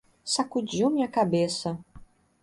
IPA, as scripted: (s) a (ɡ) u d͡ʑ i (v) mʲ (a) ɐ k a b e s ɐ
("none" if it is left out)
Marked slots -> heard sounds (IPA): s, k, w, i

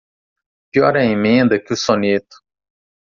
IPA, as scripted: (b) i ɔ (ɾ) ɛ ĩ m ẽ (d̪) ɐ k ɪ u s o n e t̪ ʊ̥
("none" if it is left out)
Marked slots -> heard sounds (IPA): p, ɾ, d̪

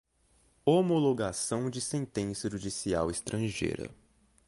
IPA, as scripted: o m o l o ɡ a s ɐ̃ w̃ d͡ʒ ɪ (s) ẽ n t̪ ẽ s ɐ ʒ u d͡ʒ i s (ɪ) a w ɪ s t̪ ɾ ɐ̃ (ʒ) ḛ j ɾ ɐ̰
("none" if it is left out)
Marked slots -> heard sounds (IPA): s, i, ʒ

